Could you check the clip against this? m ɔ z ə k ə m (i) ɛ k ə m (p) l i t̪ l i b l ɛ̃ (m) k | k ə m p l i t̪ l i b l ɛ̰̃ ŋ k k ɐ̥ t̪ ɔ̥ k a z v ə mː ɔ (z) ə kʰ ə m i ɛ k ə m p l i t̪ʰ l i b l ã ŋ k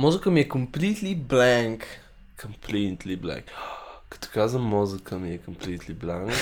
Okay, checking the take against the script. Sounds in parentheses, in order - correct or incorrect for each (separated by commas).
correct, correct, incorrect, correct